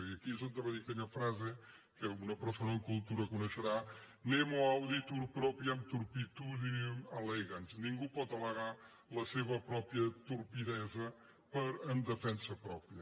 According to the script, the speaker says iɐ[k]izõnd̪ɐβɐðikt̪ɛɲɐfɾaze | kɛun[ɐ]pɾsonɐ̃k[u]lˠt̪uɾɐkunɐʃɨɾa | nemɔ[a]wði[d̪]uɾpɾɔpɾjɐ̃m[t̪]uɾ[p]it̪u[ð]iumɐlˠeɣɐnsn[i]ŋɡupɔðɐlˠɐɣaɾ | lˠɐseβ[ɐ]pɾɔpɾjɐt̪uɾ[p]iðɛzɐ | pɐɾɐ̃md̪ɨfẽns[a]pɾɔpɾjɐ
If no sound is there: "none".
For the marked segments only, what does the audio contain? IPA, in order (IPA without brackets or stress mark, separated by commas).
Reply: k, ɐ, u, a, t̪, t̪, p, ð, ĩ, ɐ, p, ɐ